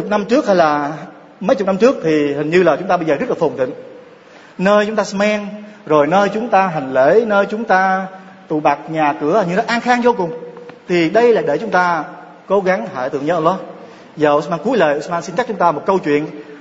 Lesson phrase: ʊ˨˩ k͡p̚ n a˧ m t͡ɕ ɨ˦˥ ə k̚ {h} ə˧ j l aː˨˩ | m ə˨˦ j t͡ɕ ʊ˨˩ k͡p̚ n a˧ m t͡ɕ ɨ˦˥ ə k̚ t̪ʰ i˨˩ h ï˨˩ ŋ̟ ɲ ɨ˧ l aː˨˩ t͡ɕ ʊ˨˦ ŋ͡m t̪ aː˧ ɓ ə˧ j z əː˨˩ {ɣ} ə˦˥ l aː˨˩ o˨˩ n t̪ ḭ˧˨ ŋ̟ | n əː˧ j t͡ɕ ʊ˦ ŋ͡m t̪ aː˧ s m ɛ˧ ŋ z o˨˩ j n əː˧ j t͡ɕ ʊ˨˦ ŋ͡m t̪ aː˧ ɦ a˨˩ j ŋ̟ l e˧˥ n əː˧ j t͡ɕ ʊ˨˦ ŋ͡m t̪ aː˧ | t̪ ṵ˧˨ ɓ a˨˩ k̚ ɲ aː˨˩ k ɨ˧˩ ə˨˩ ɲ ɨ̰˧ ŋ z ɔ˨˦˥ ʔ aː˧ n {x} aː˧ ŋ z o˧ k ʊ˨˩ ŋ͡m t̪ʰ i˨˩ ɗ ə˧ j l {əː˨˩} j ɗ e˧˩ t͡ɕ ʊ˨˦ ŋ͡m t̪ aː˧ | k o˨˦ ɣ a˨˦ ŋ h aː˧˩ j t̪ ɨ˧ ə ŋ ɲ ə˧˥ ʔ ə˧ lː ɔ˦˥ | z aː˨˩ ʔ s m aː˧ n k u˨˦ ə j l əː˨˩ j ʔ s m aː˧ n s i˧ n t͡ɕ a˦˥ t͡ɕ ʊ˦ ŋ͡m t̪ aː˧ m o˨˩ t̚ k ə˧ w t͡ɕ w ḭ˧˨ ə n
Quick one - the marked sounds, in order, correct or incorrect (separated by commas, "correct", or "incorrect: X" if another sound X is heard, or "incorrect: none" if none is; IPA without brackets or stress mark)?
correct, incorrect: z, correct, incorrect: aː˨˩